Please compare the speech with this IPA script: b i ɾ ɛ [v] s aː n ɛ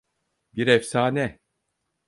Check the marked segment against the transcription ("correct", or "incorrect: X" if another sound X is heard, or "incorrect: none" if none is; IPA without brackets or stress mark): incorrect: f